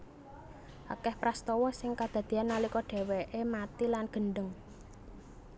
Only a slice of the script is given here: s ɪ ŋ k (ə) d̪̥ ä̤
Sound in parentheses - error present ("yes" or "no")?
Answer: yes